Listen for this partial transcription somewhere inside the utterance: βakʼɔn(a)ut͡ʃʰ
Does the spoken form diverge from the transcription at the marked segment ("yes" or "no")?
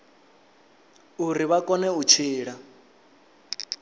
yes